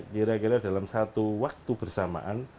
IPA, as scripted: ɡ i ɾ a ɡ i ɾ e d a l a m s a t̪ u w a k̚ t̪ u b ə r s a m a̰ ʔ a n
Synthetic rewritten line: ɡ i ɾ a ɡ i ɾ a d a l a m s a t̪ u w a k̚ t̪ u b ə r s a m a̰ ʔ a n

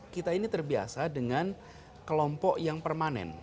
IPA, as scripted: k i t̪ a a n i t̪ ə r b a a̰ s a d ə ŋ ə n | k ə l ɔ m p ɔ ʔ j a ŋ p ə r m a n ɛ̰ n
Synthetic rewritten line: k i t̪ a i n i t̪ ə r b i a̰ s a d ə ŋ a n | k ə l ɔ m p ɔ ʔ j a ŋ p ə r m a n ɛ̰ n

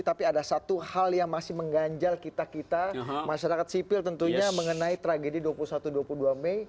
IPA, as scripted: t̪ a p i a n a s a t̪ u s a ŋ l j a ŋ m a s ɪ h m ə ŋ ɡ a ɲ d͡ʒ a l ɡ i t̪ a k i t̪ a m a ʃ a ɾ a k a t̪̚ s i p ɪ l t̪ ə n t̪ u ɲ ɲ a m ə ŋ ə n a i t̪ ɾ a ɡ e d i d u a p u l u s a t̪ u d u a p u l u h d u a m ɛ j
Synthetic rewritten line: t̪ a p i a d a s a t̪ u h a l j a ŋ m a s ɪ h m ə ŋ ɡ a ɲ d͡ʒ a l k i t̪ a k i t̪ a m a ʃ a ɾ a k a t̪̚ s i p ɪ l t̪ ə n t̪ u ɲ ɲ a m ə ŋ ə n a i t̪ ɾ a ɡ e d i d u a p u l u s a t̪ u d u a p u l u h d u a m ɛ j

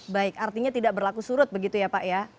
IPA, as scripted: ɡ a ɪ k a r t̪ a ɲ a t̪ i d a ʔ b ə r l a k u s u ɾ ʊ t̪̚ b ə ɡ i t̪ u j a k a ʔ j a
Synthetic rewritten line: b a ɪ k a r t̪ i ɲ a t̪ i d a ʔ b ə r l a k u s u ɾ ʊ t̪̚ b ə ɡ i t̪ u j a p a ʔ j a

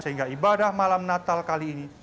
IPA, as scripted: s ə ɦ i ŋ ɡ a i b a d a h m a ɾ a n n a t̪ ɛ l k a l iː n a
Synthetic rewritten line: s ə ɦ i ŋ ɡ a i b a d a h m a l a m n a t̪ a l k a l iː n i

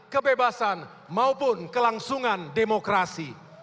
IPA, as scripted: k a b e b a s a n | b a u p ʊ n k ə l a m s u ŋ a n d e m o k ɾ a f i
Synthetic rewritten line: k ə b e b a s a n | m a u p ʊ n k ə l a ŋ s u ŋ a n d e m o k ɾ a s i

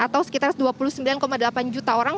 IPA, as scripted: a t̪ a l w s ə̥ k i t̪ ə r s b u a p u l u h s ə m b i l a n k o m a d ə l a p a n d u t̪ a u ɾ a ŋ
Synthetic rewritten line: a t̪ a w s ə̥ k i t̪ a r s d u a p u l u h s ə m b i l a n k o m a d ə l a p a n d͡ʒ u t̪ a o ɾ a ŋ

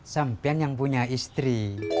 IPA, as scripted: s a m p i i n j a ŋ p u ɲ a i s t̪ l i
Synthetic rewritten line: s a m p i a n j a ŋ p u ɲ a i s t̪ ɾ i

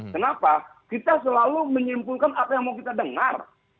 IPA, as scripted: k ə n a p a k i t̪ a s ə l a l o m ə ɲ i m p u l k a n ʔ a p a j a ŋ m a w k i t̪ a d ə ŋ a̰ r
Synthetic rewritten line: k ə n a p a k i t̪ a s ə l a l u m ə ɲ i m p u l k a n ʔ a p a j a ŋ m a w k i t̪ a d ə ŋ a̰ r

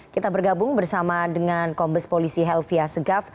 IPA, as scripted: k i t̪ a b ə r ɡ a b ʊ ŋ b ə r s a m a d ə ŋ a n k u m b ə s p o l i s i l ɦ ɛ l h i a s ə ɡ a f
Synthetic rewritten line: k i t̪ a b ə r ɡ a b ʊ ŋ b ə r s a m a d ə ŋ a n k ɔ m b ə s p o l i s i ɦ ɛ l f i a s ə ɡ a f

